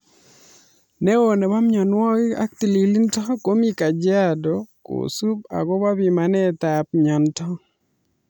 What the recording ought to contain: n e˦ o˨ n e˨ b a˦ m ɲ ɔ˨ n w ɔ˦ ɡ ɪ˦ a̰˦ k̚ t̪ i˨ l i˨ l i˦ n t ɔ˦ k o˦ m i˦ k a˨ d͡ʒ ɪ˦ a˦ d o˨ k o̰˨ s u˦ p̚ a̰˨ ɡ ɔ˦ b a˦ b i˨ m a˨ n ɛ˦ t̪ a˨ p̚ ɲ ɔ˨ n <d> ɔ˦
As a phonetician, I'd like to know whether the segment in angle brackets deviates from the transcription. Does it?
yes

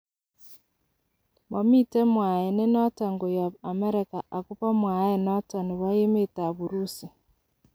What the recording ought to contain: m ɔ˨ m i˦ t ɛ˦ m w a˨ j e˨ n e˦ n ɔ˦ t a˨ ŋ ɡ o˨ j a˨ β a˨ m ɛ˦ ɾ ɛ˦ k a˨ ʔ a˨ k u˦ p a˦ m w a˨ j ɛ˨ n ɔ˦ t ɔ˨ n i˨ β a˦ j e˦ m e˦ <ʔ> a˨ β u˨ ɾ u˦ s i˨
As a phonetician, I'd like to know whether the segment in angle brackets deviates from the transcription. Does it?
yes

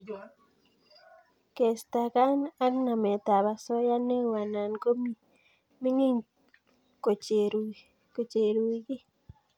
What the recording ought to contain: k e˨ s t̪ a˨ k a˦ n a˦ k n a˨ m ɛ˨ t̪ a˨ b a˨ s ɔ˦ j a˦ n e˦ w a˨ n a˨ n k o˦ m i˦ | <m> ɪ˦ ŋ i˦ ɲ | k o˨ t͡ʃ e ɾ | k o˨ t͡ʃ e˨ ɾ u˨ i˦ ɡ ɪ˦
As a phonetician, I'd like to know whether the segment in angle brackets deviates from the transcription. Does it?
no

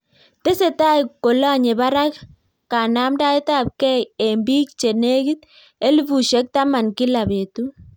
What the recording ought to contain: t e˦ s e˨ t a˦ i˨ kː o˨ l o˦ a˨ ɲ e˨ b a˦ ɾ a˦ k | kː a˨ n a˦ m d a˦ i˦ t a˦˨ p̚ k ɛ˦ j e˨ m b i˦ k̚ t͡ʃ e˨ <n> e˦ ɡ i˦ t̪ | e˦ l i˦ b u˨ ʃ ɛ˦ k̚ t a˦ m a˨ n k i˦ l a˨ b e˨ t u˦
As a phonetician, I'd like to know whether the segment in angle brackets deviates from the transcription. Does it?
no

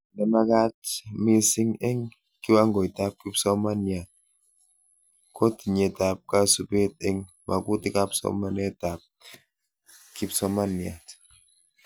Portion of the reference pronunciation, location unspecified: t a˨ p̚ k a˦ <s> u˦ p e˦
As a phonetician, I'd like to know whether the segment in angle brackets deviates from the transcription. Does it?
no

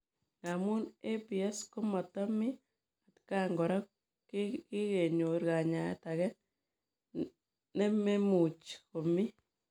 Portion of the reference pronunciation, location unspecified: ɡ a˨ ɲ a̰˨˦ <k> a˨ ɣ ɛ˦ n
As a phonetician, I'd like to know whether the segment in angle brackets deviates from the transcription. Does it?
yes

